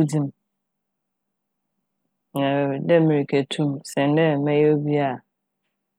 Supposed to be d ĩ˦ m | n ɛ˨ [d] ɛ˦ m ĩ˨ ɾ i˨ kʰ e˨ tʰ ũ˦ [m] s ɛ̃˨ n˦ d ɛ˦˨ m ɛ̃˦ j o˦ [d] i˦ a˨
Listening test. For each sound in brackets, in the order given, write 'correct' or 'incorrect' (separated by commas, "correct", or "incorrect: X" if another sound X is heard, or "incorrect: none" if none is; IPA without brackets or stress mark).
correct, correct, incorrect: b